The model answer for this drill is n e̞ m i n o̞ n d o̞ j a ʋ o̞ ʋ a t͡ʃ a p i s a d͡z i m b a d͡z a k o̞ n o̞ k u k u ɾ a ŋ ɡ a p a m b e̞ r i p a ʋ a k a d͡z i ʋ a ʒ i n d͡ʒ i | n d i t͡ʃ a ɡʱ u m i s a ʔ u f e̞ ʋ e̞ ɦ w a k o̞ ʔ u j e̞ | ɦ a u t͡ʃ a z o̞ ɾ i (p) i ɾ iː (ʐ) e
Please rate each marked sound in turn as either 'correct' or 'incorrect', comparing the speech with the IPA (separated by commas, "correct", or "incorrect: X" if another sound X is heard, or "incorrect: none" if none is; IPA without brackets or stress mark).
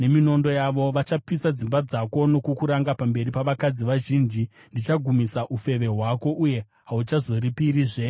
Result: correct, correct